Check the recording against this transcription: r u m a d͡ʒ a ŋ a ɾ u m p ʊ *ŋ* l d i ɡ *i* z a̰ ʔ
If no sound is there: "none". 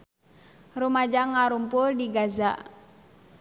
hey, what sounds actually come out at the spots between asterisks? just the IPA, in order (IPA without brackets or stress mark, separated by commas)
none, a